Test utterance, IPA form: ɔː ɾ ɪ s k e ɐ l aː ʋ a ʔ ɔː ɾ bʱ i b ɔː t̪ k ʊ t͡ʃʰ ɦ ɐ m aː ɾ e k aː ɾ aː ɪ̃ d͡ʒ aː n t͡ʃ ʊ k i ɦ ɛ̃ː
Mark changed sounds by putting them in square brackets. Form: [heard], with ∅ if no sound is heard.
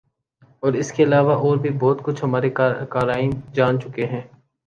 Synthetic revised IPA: ɔː ɾ ɪ s k e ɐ l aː ʋ a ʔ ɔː ɾ bʱ i b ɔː t̪ k ʊ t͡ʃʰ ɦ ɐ m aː ɾ e k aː ɾ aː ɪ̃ d͡ʒ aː n t͡ʃ ʊ k [e] ɦ ɛ̃ː